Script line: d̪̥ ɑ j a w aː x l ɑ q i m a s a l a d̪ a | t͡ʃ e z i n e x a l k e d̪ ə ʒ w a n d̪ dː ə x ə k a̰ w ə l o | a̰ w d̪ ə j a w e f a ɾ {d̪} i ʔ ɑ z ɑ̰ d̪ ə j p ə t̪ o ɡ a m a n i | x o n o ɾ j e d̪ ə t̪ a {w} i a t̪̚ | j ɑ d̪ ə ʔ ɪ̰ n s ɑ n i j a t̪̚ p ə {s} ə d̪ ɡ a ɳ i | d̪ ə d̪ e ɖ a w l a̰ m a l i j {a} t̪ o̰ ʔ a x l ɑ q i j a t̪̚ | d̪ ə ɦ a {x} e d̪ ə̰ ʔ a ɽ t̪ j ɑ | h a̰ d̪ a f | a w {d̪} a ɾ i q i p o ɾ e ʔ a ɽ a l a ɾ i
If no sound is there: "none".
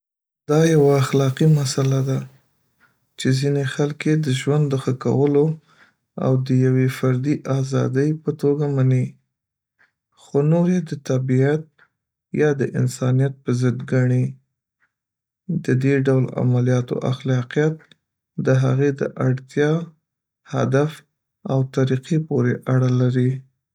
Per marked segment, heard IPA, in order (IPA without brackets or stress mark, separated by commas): d̪, b, z, ɑ, ɣ, t̪